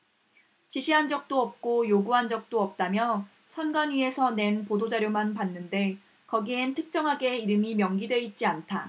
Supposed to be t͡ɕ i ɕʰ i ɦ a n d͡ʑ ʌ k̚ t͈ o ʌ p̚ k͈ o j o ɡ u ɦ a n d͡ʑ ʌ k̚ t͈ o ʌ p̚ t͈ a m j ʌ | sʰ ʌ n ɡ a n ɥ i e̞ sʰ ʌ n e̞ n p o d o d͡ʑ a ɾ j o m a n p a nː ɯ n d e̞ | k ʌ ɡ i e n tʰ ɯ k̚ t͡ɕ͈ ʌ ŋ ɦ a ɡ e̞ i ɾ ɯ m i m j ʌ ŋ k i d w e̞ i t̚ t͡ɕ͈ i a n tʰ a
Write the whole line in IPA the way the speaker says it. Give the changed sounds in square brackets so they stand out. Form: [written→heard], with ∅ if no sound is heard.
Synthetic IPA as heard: t͡ɕ i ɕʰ i ɦ a n d͡ʑ ʌ k̚ t͈ o ʌ p̚ k͈ o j o ɡ u ɦ a n d͡ʑ ʌ k̚ t͈ o ʌ p̚ t͈ a m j ʌ | sʰ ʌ n ɡ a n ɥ i e̞ sʰ ʌ n e̞ n p o d o d͡ʑ a ɾ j o m a n p a nː ɯ n d e̞ | k ʌ ɡ i e n tʰ ɯ k̚ t͡ɕ͈ ʌ ŋ ɦ a ɡ e̞ i ɾ ɯ m i m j ʌ ŋ [k→ɡ] i d w e̞ i t̚ t͡ɕ͈ i a n tʰ a